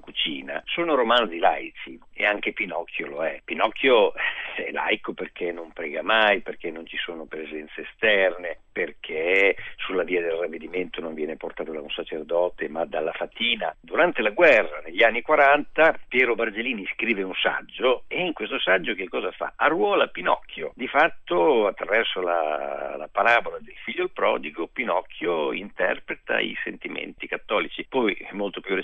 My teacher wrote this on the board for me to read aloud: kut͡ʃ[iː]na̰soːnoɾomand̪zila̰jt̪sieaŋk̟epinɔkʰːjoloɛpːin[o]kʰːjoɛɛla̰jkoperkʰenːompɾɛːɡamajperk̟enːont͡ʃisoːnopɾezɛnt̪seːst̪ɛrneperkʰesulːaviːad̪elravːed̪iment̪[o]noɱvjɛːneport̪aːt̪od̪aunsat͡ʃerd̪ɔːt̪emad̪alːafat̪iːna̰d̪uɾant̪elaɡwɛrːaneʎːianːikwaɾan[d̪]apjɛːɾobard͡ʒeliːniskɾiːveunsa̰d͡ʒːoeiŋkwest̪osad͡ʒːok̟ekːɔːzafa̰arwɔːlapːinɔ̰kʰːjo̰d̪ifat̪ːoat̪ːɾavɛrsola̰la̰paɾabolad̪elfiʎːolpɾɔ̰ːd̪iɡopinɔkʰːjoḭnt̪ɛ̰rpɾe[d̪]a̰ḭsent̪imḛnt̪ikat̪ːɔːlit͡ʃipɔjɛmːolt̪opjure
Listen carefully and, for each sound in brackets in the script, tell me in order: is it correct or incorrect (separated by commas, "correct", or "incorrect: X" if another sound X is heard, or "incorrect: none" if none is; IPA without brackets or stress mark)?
correct, incorrect: ɔ, correct, incorrect: t̪, incorrect: t̪